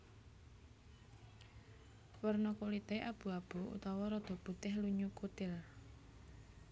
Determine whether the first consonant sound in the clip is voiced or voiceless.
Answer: voiced